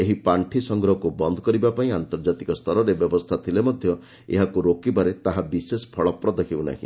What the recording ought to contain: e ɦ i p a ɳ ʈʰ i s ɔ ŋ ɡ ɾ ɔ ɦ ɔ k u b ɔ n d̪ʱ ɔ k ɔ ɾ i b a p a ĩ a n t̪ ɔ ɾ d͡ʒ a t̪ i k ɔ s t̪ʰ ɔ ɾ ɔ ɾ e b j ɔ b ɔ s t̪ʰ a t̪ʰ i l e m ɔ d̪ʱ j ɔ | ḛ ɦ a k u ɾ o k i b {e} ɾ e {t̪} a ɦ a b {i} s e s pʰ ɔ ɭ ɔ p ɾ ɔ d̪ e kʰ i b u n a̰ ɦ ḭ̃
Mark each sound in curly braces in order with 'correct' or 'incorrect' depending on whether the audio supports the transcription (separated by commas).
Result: incorrect, correct, correct